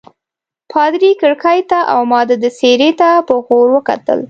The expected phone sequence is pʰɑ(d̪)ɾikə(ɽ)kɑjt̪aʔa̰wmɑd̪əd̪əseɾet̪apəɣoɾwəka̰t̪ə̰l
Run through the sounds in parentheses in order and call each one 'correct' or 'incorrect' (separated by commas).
correct, correct